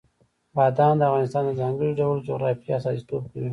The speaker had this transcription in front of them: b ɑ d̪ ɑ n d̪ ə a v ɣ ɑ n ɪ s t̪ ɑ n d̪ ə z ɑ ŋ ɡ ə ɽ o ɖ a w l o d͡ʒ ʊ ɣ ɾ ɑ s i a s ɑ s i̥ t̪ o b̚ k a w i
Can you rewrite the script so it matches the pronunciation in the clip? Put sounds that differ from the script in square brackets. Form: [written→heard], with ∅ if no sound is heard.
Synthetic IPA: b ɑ d̪ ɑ n d̪ ə a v ɣ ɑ n ɪ s t̪ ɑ n d̪ ə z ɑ ŋ ɡ ə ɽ o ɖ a w l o d͡ʒ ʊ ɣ ɾ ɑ [s→f] i a s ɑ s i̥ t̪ o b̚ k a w i